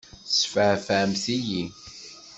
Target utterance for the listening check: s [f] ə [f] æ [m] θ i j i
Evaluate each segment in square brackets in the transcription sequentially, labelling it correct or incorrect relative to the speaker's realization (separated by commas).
correct, correct, correct